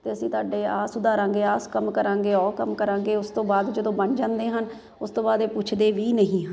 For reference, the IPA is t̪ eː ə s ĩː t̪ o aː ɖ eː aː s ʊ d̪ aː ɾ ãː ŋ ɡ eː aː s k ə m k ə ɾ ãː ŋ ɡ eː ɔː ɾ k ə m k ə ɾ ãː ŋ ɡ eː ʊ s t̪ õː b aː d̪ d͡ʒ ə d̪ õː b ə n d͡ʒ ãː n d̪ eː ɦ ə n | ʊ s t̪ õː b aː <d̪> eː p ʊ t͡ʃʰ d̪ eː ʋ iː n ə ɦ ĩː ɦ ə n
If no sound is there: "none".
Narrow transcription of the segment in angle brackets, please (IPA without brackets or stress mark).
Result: d̪